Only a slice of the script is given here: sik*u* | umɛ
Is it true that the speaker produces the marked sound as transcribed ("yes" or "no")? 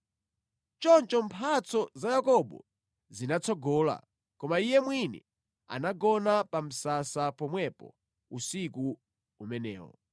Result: yes